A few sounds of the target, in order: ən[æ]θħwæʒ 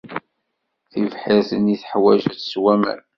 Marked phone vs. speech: incorrect: i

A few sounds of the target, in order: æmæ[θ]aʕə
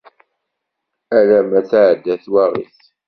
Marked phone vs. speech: correct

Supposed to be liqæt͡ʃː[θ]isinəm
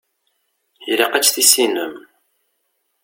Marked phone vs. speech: correct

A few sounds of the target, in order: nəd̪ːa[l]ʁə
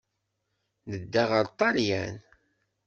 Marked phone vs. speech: incorrect: none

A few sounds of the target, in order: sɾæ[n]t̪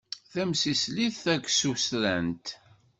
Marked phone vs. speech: correct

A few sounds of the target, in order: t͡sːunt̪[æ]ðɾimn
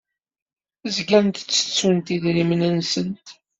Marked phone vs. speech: incorrect: i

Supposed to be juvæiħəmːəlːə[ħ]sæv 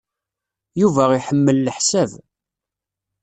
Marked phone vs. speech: correct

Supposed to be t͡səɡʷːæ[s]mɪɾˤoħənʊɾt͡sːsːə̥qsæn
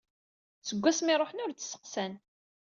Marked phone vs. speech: correct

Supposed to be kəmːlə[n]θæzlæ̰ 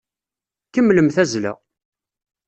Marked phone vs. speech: incorrect: m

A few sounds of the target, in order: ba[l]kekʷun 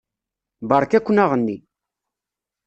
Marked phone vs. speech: incorrect: ɾ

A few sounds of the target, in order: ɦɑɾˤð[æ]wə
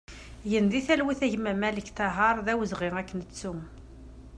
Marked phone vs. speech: correct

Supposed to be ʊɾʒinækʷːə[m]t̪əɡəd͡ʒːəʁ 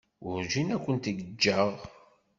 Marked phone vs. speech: incorrect: n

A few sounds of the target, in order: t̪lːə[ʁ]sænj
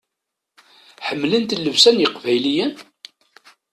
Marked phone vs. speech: incorrect: v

